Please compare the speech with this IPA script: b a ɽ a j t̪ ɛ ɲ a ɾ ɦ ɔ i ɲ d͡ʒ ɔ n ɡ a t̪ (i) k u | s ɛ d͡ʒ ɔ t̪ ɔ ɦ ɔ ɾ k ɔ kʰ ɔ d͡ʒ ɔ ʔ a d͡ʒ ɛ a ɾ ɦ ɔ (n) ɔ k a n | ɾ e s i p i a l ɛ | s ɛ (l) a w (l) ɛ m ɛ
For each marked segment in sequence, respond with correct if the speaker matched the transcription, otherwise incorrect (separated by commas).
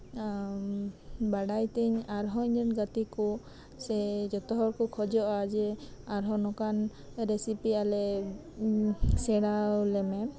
correct, correct, incorrect, correct